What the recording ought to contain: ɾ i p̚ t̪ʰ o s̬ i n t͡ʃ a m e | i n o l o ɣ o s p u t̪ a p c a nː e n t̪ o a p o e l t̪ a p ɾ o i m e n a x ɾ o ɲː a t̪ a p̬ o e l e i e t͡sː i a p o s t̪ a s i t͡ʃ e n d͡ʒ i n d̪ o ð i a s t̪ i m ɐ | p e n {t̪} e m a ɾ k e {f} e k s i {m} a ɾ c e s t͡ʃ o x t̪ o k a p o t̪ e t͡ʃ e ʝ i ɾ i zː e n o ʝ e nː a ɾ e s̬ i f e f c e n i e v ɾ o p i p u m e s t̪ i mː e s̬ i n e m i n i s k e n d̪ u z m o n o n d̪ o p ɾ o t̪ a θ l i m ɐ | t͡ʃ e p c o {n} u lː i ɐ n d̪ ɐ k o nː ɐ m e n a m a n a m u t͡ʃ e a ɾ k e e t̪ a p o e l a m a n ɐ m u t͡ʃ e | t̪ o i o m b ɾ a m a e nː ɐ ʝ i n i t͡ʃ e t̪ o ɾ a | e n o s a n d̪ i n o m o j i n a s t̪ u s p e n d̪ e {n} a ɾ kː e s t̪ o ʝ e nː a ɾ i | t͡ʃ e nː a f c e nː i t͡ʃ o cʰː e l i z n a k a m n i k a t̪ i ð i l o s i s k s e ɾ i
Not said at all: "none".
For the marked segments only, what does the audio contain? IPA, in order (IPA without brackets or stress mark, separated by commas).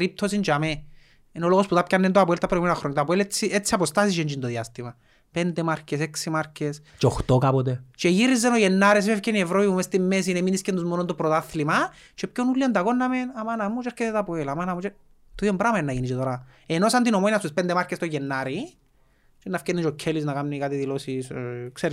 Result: d̪, s, m, n, m